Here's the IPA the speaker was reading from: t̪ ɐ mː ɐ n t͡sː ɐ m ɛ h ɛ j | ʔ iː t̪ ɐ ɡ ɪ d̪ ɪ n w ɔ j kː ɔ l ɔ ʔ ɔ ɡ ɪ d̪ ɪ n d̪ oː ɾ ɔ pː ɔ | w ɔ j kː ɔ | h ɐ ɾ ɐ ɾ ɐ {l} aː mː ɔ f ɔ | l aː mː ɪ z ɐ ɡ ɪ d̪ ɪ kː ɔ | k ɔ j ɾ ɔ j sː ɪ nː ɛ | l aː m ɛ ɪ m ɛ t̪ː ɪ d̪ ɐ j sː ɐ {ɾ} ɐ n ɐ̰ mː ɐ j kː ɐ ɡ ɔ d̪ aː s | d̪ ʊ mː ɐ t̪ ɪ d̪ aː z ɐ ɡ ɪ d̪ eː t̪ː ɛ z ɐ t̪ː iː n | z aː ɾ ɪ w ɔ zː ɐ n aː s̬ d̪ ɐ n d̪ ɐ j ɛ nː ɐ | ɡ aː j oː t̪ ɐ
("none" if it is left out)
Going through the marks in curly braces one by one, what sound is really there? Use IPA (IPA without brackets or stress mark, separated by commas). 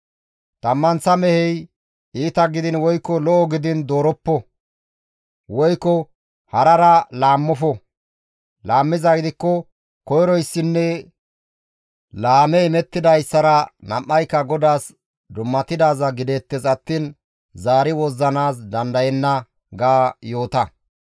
l, ɾ